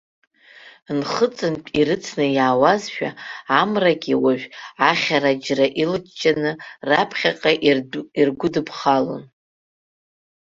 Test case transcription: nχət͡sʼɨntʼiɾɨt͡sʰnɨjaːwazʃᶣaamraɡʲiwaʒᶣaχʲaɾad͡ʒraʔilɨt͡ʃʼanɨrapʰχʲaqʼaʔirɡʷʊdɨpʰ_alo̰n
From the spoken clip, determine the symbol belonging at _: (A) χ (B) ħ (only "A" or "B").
A